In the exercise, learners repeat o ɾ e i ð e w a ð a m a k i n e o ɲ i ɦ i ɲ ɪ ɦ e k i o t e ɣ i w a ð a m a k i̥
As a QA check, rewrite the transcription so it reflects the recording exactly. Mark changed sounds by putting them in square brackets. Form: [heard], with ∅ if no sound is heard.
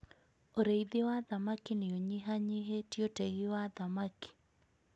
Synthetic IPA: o ɾ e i ð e w a ð a m a k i n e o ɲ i ɦ [a] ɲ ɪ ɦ e [t] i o t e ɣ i w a ð a m a k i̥